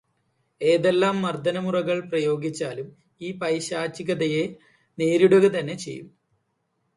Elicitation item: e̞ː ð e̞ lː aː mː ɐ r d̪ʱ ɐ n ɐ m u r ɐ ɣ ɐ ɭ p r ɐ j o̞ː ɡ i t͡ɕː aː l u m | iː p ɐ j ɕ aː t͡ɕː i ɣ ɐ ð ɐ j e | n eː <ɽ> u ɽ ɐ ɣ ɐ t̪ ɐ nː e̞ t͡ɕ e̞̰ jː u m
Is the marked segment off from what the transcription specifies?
yes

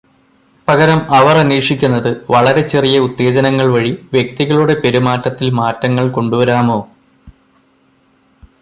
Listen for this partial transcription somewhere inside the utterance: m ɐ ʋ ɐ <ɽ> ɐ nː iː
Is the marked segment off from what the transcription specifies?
yes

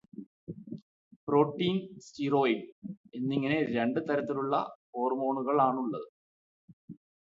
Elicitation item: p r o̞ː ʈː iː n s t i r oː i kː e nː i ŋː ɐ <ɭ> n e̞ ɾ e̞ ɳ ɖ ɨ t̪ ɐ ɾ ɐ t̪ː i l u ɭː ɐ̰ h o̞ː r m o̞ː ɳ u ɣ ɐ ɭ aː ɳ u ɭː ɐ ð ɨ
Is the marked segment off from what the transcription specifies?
yes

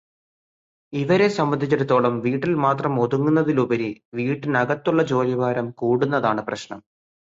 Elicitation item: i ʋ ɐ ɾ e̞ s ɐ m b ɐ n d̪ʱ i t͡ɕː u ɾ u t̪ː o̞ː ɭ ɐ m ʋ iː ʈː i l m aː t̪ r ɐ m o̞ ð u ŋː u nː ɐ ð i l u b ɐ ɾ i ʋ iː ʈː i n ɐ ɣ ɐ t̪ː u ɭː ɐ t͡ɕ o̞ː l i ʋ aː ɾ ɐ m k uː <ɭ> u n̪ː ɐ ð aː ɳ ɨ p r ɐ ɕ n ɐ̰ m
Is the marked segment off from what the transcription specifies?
yes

